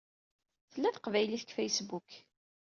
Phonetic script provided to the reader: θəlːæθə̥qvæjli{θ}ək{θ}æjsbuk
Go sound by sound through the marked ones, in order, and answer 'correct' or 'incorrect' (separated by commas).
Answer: correct, incorrect